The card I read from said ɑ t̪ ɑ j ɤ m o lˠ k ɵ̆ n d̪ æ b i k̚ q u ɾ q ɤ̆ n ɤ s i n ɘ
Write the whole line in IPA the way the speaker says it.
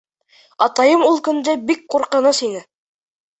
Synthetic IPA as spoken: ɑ t̪ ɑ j ɤ m u lˠ k ɵ̆ n d̪ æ b i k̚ q u ɾ q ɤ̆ n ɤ s i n ɘ